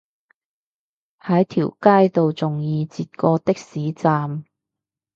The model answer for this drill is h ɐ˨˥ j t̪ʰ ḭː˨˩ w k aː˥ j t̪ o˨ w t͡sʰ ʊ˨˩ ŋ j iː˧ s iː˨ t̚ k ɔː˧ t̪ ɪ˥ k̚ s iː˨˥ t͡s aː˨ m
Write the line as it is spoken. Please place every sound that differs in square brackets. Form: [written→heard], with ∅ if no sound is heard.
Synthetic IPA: h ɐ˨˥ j t̪ʰ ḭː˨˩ w k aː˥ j t̪ o˨ w [t͡sʰ→t͡s] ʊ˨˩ ŋ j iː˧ [s→t͡s] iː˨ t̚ k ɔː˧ t̪ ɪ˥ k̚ s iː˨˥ t͡s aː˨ m

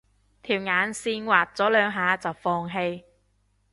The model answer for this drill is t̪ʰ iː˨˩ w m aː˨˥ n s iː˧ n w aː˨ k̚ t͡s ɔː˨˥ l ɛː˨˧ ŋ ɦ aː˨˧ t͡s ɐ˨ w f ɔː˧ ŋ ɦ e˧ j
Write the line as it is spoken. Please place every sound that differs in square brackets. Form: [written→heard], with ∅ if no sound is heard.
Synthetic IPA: t̪ʰ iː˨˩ w [m→ŋ] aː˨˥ n s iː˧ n w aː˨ [k̚→t̚] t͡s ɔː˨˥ l [ɛː˨˧→œː˨˧] ŋ ɦ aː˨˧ t͡s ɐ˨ w f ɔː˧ ŋ ɦ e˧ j

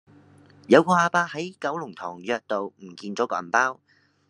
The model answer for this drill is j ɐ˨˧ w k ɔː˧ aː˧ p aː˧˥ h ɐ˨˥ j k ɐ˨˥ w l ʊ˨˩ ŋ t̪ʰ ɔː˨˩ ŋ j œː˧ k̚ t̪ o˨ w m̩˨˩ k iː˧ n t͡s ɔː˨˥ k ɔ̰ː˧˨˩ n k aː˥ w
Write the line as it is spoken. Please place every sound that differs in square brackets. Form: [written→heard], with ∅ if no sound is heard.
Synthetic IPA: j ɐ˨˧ w k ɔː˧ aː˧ p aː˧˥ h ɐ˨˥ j k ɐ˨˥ w l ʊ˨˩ ŋ t̪ʰ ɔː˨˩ ŋ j œː˧ k̚ t̪ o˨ w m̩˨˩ k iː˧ n t͡s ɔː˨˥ k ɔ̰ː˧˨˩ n [k→p] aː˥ w

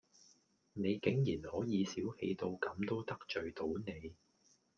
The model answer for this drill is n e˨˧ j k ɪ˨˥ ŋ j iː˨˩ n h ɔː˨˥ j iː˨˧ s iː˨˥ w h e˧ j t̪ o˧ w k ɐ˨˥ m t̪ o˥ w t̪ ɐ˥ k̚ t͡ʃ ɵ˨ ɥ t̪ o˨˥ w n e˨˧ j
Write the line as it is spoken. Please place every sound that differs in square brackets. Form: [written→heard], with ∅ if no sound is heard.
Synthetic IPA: n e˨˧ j k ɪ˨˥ ŋ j iː˨˩ n h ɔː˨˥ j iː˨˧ s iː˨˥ w h e˧ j t̪ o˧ w k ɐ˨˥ m t̪ o˥ w t̪ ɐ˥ k̚ t͡ʃ ɵ˨ ɥ t̪ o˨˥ w n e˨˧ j

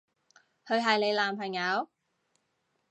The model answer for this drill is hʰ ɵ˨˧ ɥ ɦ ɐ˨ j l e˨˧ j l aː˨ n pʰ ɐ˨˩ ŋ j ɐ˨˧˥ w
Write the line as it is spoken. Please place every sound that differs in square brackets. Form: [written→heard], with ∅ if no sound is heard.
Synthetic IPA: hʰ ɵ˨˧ ɥ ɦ ɐ˨ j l e˨˧ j l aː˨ [n→m] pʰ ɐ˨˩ ŋ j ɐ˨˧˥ w

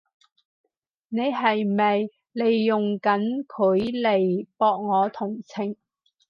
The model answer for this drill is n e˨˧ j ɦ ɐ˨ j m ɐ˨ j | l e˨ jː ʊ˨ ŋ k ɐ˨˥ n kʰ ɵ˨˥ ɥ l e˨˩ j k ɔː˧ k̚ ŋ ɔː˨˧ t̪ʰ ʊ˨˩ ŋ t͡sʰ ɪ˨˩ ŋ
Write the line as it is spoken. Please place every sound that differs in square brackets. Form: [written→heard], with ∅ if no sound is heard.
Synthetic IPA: n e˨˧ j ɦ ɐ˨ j m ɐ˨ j | l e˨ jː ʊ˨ ŋ k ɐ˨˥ n kʰ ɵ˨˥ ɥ l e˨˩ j [k→p] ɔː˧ k̚ ŋ ɔː˨˧ t̪ʰ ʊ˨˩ ŋ t͡sʰ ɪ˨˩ ŋ

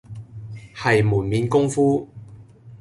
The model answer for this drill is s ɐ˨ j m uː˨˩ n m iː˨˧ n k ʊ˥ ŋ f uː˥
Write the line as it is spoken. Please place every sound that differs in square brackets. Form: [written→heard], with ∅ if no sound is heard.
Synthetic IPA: [s→h] ɐ˨ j m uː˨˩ n m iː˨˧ n k ʊ˥ ŋ f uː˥

